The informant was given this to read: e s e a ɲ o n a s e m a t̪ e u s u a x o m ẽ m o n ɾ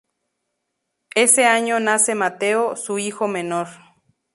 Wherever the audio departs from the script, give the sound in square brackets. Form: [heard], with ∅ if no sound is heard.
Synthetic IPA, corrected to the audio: e s e a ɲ o n a s e m a t̪ e [o] s u [i] x o m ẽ [n] o [∅] ɾ